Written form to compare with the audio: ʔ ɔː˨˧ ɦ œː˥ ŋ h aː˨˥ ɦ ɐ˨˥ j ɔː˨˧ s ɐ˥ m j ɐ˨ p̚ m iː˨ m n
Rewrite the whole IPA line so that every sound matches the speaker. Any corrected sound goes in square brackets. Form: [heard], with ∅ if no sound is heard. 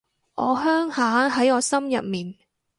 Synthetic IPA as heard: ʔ ɔː˨˧ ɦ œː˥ ŋ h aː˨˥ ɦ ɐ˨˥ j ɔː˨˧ s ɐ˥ m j ɐ˨ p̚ m iː˨ [∅] n